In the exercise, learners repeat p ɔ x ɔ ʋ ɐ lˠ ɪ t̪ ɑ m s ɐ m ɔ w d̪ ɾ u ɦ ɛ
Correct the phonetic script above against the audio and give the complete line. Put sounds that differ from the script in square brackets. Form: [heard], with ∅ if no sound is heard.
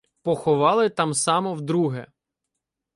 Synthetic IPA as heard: p ɔ x ɔ ʋ [ɑ] lˠ ɪ t̪ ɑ m s [ɑ] m ɔ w d̪ ɾ u ɦ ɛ